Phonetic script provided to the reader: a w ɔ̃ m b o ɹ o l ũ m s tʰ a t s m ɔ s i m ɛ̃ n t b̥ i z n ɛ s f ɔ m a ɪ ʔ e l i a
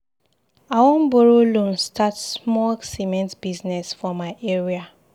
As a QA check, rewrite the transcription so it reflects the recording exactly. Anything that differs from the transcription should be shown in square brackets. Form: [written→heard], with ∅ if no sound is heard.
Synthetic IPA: a w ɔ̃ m b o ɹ o l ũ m s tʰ a t s m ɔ s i m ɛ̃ n t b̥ i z n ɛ s f ɔ m a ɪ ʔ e [l→ɹ] i a

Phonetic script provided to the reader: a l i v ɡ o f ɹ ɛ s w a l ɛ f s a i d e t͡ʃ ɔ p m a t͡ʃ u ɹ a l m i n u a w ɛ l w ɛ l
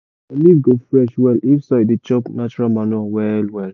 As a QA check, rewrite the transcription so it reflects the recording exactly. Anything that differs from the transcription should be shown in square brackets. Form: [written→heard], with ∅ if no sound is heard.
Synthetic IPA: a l i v ɡ o f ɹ ɛ [s→ʃ] w [a→ɛ] l [ɛ→i] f s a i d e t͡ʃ ɔ p [m→n] a t͡ʃ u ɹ a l m [i→a] n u a w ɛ l w ɛ l

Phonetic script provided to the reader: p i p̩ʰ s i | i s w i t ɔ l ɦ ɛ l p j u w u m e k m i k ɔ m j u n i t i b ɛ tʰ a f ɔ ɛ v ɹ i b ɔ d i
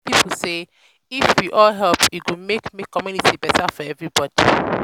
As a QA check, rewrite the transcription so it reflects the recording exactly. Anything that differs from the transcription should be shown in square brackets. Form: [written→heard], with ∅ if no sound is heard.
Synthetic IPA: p i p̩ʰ s [i→e] | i [s→f] w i [t→ʔ] ɔ l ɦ ɛ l p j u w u m e k m i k ɔ m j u n i t i b ɛ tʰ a f ɔ ɛ v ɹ i b ɔ d i

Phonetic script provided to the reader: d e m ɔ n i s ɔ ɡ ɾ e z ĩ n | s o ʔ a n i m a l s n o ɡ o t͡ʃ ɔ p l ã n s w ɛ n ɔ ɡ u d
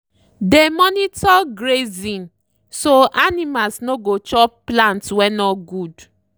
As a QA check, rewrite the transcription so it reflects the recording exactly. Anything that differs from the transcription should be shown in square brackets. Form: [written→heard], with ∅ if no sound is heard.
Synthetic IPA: d e m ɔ n i [s→t] ɔ ɡ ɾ e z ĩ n | s o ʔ a n i m a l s n o ɡ o t͡ʃ ɔ p l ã n [s→t] w ɛ n ɔ ɡ u d

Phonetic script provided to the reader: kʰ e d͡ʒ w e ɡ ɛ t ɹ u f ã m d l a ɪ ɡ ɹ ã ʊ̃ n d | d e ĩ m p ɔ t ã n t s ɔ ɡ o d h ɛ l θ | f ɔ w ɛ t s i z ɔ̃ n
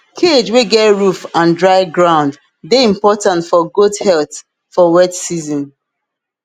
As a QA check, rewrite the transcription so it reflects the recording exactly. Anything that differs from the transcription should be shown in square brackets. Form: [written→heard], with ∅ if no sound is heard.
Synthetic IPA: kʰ e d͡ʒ w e ɡ ɛ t ɹ u f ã [m→n] d [l→ɹ] a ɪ ɡ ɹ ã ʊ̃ n d | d e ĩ m p ɔ t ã n t [s→f] ɔ ɡ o d h ɛ l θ | f ɔ w ɛ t s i z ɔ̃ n

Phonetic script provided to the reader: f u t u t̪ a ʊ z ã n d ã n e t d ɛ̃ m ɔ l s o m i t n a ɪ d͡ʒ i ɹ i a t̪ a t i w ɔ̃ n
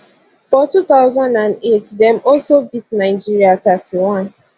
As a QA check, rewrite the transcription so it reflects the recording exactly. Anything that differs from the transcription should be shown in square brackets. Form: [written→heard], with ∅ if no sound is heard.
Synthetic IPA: f [u→ɔ] t u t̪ a ʊ z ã n d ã n e t d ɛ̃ m ɔ l s o [m→b] i t n a ɪ d͡ʒ i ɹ i a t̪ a t i w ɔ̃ n

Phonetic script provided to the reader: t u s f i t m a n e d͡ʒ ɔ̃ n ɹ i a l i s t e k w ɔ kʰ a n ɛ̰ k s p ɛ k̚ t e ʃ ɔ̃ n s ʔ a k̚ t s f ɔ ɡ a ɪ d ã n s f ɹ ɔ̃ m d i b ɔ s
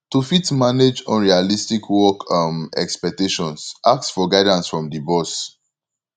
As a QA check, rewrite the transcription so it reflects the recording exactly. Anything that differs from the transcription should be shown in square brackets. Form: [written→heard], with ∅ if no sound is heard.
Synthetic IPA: t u [s→∅] f i t m a n e d͡ʒ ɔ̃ n ɹ i a l i s t [e→i] k w ɔ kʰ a [n→m] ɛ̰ k s p ɛ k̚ t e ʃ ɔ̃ n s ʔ a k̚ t s f ɔ ɡ a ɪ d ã n s f ɹ ɔ̃ m d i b ɔ s

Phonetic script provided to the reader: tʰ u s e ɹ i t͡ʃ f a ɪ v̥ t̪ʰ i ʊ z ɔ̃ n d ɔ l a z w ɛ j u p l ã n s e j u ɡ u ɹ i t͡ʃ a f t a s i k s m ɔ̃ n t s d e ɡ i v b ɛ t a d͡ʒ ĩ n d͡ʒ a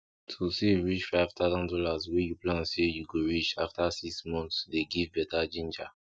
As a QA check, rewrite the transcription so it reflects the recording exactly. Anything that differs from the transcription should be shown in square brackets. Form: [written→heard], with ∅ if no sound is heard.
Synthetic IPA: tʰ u s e ɹ i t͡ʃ f a ɪ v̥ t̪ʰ [i→a] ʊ z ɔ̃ n d ɔ l a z w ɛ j u p l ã n s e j u ɡ [u→o] ɹ i t͡ʃ a f t a s i k s m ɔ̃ n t s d e ɡ i v b ɛ t a d͡ʒ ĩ n d͡ʒ a

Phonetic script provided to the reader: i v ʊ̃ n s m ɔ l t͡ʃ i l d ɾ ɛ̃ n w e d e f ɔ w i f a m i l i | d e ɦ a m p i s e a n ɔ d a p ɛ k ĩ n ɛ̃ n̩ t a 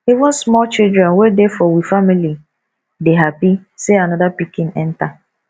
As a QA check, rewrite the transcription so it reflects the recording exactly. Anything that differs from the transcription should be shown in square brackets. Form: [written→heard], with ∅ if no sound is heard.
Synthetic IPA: i v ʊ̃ n s m ɔ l t͡ʃ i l d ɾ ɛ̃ n w e d e f ɔ w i f a m i l i | d e ɦ a [m→∅] p i s e a n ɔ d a p [ɛ→i] k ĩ n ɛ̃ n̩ t a

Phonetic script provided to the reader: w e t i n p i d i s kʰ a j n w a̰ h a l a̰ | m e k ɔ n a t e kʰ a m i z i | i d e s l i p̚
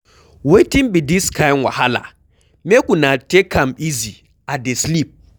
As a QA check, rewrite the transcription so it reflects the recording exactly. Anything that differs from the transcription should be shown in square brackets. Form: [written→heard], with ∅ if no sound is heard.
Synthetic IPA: w e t i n [p→b] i d i s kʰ a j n w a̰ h a l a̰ | m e k [ɔ→u] n a t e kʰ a m i z i | [i→a] d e s l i p̚

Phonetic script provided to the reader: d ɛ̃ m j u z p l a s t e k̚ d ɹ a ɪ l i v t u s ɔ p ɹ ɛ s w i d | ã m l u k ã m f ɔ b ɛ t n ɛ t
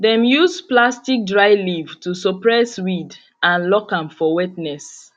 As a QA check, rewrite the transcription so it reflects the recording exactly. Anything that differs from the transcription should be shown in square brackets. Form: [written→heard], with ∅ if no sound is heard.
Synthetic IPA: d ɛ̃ m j u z p l a s t [e→i] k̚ d ɹ a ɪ l i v t u s ɔ p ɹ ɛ s w i d | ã [m→n] l [u→ɔ] k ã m f ɔ [b→w] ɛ t n ɛ [t→s]

